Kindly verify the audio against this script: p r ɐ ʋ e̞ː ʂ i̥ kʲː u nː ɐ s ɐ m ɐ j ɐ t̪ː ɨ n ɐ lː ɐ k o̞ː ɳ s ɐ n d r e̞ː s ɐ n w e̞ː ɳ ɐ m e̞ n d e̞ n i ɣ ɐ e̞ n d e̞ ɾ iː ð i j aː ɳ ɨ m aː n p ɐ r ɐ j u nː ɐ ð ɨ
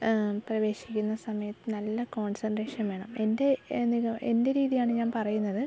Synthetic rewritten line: p r ɐ ʋ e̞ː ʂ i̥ kʲː u nː ɐ s ɐ m ɐ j ɐ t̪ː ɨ n ɐ lː ɐ k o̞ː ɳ s ɐ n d r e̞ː ʂ ɐ n ʋ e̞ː ɳ ɐ m e̞ n d e̞ n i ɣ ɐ e̞ n d e̞ ɾ iː ð i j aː ɳ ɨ ɲ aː n p ɐ r ɐ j u nː ɐ ð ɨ